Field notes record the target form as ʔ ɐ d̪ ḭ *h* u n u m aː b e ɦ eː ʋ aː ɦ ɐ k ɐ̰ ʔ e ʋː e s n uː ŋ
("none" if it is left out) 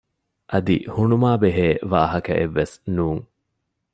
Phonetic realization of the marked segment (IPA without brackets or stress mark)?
h